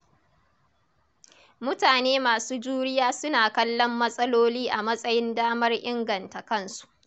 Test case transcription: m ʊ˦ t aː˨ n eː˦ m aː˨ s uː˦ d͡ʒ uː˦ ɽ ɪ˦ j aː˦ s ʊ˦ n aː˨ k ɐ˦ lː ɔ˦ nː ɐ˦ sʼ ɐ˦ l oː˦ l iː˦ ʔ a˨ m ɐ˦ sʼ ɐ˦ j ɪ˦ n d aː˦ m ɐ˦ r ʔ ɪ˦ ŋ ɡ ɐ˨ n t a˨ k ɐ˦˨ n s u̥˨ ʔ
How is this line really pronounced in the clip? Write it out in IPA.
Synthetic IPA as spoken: m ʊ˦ t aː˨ n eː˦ m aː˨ s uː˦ d͡ʒ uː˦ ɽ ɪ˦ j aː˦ s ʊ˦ n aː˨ k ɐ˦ lː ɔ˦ mː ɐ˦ sʼ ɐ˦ l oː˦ l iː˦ ʔ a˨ m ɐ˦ sʼ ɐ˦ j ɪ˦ n d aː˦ m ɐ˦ r ʔ ɪ˦ ŋ ɡ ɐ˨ n t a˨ k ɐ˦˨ n s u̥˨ ʔ